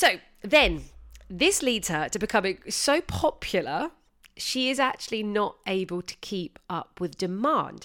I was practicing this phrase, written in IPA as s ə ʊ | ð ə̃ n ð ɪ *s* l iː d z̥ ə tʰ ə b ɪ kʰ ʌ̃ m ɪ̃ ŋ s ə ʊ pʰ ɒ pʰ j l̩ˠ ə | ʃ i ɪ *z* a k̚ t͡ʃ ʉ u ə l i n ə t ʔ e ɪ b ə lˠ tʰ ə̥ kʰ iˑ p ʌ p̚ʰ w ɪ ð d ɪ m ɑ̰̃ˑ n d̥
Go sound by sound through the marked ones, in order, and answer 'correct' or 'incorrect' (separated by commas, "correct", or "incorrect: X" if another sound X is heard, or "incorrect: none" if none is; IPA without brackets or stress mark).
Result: correct, correct